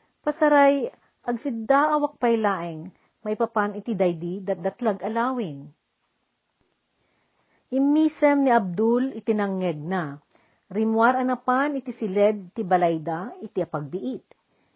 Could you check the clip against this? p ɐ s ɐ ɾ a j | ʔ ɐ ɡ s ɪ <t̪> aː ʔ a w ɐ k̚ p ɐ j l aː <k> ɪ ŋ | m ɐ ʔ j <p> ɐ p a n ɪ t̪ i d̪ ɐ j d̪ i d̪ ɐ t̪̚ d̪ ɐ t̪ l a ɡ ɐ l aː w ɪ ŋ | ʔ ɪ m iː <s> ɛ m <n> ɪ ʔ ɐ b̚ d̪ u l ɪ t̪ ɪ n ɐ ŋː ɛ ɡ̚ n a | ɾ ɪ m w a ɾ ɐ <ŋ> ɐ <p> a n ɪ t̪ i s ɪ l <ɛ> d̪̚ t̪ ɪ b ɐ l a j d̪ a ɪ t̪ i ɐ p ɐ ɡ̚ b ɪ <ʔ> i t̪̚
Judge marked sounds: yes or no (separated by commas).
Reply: no, no, yes, yes, yes, no, yes, yes, yes